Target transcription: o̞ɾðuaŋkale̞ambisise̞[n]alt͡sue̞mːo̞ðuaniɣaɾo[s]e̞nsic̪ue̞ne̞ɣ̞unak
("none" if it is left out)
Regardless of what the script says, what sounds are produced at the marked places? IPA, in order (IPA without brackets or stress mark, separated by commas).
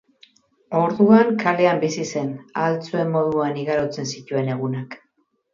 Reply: n, t͡s